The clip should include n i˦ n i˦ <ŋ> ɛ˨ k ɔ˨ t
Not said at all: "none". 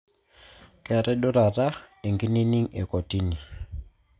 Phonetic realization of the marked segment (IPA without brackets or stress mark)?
ŋ